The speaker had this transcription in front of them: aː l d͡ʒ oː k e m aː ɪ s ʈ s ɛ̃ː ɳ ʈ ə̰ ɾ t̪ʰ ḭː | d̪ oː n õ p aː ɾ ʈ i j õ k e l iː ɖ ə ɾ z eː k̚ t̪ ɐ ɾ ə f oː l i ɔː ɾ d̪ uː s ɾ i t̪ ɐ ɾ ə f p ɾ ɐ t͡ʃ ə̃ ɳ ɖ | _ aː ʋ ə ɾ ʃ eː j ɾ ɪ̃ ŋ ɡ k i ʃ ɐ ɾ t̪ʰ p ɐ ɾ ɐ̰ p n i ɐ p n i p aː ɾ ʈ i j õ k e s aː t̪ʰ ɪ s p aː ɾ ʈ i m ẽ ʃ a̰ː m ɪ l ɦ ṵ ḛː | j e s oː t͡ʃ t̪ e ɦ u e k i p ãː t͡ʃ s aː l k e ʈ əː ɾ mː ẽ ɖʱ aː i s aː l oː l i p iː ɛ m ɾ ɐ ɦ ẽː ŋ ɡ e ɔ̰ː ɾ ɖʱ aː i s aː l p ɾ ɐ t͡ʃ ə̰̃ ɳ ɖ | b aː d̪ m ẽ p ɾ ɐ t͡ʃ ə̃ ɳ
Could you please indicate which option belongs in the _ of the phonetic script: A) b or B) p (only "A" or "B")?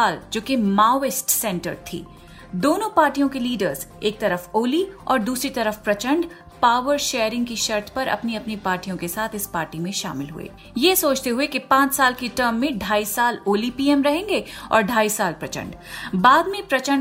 B